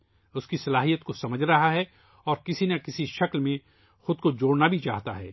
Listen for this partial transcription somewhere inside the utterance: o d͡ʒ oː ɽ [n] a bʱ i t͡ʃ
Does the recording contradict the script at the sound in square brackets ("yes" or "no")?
no